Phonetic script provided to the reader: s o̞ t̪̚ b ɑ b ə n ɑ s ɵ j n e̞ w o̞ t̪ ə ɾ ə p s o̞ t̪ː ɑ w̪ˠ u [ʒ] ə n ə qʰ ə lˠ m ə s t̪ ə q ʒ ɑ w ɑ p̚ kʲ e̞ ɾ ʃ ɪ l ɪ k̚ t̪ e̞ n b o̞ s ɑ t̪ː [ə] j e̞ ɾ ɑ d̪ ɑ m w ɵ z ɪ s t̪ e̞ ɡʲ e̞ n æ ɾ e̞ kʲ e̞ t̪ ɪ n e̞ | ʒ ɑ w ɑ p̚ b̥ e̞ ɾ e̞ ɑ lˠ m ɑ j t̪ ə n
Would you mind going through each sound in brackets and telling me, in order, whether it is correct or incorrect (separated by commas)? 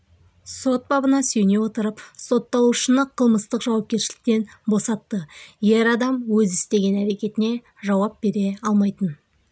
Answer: incorrect, correct